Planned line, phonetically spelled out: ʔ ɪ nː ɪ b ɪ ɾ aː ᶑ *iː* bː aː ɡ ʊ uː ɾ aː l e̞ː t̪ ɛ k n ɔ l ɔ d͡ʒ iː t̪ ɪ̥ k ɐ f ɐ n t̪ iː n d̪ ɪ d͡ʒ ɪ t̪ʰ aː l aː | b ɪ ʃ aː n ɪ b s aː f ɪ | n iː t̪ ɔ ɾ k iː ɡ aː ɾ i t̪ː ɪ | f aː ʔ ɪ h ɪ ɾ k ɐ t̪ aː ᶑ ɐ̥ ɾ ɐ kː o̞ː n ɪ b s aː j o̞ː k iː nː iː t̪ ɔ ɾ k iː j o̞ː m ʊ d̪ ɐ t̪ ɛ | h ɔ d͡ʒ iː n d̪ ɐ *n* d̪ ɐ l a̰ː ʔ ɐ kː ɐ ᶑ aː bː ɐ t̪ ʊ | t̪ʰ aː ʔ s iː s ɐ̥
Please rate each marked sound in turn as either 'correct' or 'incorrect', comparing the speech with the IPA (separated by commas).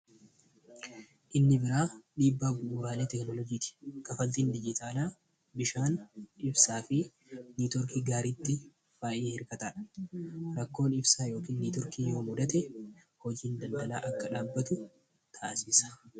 correct, correct